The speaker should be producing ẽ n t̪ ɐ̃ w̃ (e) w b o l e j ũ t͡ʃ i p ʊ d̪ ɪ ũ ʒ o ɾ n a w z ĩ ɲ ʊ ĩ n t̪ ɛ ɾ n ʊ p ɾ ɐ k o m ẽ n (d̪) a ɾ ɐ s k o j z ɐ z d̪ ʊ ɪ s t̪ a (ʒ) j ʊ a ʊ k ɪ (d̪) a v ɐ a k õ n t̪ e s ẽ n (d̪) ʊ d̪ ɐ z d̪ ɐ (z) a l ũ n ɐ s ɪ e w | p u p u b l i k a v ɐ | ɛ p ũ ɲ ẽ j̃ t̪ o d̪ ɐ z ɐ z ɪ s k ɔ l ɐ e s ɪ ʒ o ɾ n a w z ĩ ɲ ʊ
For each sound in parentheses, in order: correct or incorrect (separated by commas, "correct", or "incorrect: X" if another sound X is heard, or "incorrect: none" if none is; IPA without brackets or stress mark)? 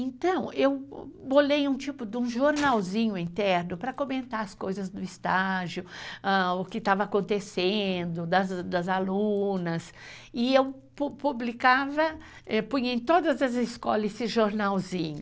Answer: correct, incorrect: t̪, correct, incorrect: t̪, correct, correct